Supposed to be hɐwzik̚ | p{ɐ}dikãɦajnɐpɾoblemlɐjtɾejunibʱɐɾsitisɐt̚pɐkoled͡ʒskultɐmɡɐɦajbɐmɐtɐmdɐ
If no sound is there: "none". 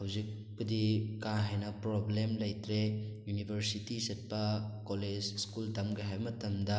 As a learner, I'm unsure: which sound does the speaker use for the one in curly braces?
ɐ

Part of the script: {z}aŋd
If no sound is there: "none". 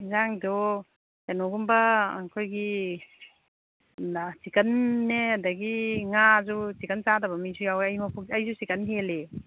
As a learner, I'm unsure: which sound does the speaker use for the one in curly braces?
z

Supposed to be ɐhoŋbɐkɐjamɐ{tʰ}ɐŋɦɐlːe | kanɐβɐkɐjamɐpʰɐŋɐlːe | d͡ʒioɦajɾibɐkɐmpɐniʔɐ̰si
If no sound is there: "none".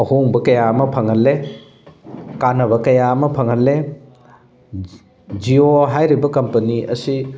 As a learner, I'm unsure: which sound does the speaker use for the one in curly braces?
pʰ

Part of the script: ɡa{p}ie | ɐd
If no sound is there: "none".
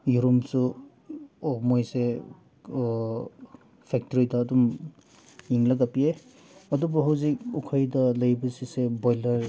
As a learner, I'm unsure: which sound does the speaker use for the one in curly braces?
p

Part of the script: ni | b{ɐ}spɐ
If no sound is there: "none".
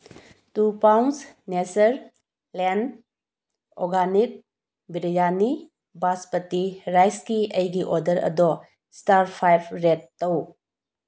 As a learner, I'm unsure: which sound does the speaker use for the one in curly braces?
a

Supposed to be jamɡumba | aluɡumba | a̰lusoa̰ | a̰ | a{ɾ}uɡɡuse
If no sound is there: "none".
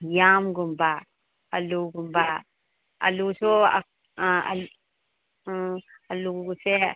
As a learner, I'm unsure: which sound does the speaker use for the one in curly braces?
l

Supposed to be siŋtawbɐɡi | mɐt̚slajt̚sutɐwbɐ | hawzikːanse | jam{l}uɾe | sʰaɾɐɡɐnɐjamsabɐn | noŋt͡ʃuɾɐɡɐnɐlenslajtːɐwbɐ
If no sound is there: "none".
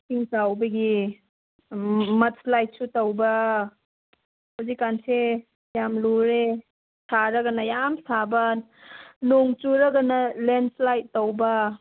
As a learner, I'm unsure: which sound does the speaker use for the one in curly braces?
l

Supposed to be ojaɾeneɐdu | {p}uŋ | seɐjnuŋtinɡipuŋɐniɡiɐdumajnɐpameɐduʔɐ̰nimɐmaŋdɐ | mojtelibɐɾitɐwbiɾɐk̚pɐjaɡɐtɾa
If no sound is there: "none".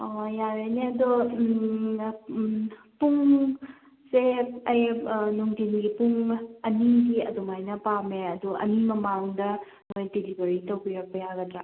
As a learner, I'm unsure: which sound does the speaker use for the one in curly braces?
p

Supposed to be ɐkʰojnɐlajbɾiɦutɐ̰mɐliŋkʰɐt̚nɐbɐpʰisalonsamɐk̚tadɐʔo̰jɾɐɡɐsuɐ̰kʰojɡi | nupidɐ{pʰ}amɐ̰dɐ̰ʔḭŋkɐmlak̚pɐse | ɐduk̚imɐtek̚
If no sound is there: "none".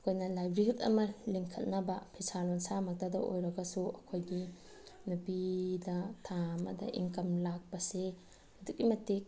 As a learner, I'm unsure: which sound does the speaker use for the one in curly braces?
tʰ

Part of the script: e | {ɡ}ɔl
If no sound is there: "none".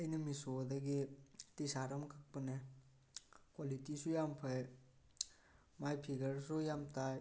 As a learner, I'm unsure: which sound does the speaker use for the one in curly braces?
k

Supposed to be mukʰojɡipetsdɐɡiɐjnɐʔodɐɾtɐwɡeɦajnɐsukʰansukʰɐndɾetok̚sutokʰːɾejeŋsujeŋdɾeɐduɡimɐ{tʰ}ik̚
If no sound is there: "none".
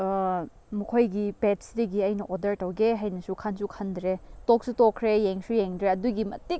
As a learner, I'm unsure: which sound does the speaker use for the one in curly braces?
t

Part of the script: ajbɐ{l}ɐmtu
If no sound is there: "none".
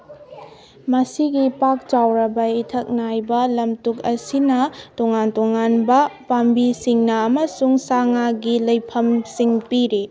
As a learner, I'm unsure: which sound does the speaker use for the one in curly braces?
l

